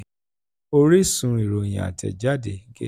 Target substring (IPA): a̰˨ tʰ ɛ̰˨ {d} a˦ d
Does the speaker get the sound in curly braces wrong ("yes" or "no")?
yes